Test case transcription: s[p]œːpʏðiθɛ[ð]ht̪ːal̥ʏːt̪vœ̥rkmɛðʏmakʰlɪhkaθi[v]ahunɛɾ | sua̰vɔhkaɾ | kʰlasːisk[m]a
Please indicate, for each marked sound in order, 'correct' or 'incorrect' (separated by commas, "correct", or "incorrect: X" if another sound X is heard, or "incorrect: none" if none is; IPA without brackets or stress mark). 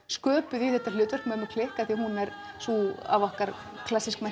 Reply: incorrect: k, incorrect: none, incorrect: none, correct